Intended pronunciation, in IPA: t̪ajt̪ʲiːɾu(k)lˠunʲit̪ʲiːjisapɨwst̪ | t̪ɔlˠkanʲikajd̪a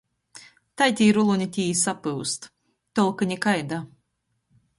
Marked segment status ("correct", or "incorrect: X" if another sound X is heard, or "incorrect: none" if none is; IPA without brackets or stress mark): incorrect: none